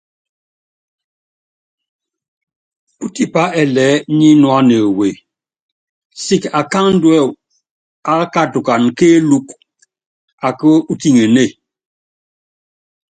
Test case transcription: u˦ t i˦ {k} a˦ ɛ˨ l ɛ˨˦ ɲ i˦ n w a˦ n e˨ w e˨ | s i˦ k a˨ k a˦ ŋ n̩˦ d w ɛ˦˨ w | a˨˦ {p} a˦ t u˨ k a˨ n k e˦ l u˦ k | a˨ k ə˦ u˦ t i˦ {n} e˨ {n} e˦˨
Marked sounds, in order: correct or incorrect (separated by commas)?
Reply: incorrect, incorrect, incorrect, correct